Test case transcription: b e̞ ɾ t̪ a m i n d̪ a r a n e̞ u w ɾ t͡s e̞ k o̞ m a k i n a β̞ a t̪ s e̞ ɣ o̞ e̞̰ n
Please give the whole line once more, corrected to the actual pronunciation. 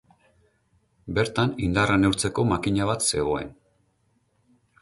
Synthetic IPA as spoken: b e̞ ɾ t̪ a n i n d̪ a r a n e̞ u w ɾ t͡s e̞ k o̞ m a k i ɲ a β̞ a t̪ s e̞ ɣ o̞ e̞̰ n